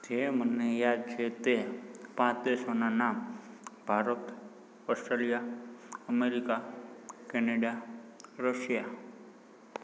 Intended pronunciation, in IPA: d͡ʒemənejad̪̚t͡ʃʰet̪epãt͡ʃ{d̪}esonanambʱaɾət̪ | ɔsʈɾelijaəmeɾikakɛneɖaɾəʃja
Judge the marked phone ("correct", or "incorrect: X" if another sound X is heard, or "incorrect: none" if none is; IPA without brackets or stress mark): correct